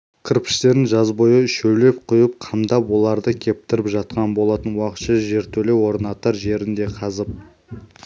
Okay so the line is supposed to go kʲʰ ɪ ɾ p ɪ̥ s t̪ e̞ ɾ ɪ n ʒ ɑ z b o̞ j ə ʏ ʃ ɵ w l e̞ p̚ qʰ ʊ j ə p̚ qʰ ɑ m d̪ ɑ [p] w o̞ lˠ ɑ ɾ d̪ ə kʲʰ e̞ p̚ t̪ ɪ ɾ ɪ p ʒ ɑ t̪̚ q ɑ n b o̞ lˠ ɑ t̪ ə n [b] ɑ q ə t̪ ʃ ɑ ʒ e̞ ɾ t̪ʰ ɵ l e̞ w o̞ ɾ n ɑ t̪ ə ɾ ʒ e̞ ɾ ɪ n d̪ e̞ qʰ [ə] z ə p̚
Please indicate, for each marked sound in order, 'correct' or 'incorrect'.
correct, incorrect: w, incorrect: ɑ

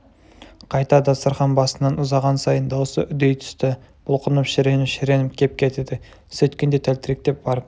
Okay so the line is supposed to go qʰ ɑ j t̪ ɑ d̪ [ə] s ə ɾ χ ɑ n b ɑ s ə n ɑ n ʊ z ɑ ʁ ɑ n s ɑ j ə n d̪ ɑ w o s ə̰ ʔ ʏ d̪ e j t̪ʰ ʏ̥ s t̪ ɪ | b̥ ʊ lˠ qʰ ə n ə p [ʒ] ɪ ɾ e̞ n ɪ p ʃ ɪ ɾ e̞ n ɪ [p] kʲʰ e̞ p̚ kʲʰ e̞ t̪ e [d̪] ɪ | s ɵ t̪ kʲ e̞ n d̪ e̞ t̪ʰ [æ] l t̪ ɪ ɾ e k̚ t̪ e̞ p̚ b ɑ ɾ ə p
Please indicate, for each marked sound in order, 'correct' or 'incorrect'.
incorrect: ɑ, incorrect: ʃ, correct, correct, correct

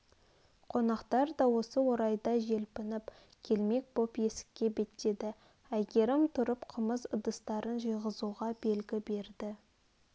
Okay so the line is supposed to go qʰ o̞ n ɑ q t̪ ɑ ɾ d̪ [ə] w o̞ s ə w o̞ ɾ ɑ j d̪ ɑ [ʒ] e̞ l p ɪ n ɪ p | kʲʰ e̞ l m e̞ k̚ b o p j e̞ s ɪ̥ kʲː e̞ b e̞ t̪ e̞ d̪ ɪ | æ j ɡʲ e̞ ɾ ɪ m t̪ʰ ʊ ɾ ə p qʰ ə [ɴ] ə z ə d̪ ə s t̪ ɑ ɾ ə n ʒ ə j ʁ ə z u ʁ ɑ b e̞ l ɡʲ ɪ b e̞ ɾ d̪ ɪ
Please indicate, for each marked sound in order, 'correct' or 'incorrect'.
incorrect: ɑ, correct, incorrect: m

